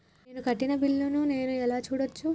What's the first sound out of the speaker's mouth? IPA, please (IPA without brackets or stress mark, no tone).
n